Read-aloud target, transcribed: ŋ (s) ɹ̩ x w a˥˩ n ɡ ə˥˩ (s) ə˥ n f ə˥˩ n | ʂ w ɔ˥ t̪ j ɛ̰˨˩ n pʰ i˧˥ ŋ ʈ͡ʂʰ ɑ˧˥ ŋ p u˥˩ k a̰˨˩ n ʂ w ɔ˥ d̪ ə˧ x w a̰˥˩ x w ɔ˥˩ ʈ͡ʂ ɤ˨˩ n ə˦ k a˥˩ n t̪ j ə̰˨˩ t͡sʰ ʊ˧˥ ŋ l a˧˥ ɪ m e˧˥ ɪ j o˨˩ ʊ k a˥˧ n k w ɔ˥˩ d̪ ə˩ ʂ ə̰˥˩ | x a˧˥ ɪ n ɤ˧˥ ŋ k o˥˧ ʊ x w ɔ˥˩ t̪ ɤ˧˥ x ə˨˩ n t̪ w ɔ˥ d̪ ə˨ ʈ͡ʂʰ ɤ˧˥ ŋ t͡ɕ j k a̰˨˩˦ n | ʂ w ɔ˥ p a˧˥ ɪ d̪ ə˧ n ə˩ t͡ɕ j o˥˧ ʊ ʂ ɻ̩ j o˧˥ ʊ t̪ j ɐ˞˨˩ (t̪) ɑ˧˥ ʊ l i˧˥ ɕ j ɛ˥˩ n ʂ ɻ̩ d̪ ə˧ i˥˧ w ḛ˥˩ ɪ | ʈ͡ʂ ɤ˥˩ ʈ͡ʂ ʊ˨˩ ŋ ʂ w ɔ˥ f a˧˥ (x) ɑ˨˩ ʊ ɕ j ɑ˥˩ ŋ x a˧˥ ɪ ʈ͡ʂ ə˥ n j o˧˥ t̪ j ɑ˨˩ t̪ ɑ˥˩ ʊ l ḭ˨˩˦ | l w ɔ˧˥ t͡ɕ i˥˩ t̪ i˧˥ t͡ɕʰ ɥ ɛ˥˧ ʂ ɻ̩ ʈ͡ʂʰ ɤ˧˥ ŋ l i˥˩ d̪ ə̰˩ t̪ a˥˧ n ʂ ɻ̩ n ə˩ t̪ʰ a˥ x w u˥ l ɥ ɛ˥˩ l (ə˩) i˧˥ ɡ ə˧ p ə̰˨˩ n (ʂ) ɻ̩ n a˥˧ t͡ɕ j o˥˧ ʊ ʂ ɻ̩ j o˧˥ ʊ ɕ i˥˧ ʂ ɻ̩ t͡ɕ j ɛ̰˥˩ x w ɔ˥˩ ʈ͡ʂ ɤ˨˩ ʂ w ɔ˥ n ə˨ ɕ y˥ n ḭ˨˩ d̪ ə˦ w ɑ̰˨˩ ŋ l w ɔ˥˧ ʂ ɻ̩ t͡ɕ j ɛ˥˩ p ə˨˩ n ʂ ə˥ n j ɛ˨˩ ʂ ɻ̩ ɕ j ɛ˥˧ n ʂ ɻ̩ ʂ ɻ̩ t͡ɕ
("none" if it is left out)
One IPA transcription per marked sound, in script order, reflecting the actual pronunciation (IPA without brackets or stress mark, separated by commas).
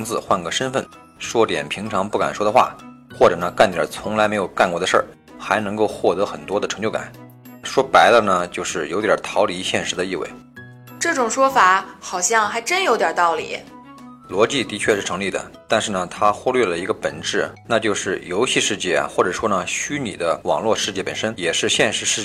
t͡s, ʂ, t̪ʰ, x, ə˩, ʈ͡ʂ